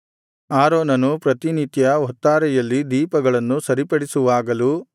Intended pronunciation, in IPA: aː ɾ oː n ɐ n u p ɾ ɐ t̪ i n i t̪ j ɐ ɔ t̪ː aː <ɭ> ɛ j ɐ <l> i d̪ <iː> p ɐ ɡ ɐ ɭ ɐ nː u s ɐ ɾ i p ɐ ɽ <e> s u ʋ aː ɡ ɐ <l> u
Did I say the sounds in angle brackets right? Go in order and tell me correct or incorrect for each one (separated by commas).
incorrect, incorrect, correct, incorrect, correct